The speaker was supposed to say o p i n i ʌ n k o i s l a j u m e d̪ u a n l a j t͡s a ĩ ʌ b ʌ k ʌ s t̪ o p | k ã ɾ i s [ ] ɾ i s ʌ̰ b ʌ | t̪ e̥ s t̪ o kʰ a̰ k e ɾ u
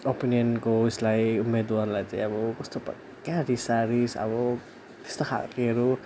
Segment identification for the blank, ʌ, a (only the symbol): a